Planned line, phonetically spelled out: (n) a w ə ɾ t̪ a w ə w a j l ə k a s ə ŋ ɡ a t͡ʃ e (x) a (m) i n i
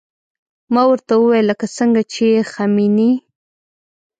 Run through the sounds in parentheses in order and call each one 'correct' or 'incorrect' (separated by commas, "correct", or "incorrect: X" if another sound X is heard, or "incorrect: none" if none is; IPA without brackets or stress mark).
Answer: incorrect: m, correct, correct